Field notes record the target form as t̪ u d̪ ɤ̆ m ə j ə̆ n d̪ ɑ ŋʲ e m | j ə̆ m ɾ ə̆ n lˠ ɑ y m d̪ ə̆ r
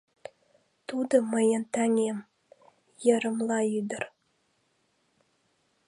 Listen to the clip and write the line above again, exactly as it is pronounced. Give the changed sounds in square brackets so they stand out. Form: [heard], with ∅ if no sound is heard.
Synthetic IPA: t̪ u d̪ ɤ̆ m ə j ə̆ n [t̪] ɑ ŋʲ e m | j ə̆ [∅] ɾ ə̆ [m] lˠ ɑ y [∅] d̪ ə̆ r